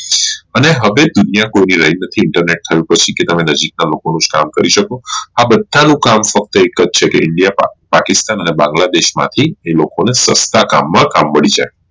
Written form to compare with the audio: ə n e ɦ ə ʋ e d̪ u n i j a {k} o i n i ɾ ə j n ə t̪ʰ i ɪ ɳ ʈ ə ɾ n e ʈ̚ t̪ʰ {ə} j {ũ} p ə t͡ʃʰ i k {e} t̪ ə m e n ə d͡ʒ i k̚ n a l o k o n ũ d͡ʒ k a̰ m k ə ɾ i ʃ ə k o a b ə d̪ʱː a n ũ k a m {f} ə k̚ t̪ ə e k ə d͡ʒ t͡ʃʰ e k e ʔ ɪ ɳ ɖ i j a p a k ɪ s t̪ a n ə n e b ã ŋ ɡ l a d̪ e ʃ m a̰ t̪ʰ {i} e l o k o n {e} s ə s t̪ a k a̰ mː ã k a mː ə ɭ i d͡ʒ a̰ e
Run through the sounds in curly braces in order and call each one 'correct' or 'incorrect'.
correct, correct, correct, correct, correct, correct, correct

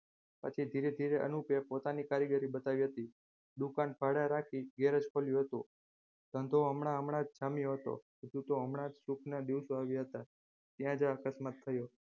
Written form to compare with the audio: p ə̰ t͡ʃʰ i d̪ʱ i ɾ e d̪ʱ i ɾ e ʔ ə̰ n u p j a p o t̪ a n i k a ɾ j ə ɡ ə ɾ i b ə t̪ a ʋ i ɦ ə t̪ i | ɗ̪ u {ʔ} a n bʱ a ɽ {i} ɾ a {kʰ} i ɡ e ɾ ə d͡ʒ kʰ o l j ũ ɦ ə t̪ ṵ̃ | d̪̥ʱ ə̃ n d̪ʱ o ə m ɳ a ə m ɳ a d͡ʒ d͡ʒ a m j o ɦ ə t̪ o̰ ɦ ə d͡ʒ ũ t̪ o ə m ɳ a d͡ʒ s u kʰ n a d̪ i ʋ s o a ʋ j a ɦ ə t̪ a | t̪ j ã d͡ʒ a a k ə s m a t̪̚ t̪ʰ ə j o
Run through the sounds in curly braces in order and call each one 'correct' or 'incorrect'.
incorrect: k, incorrect: a, correct

